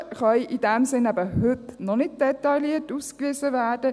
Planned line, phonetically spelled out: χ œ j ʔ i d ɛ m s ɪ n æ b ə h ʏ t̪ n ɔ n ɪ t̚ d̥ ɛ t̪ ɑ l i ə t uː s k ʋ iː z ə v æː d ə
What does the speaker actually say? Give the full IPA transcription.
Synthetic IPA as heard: χ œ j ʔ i d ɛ m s ɪ n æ b ə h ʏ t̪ n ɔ n ɪ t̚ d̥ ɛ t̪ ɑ l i ə t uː s k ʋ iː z ə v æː d ə